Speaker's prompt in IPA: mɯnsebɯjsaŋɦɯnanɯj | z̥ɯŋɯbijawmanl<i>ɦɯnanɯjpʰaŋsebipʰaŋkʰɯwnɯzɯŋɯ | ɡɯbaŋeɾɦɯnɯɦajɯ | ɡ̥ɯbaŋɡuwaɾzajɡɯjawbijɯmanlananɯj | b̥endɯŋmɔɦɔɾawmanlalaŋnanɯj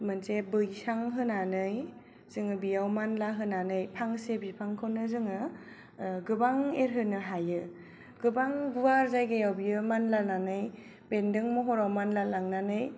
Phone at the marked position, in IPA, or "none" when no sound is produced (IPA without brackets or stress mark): a